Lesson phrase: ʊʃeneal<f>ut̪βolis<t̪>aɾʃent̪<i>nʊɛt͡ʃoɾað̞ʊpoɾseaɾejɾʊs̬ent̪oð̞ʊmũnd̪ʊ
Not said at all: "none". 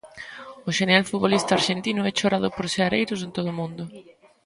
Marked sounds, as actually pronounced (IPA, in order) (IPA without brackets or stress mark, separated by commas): f, t̪, i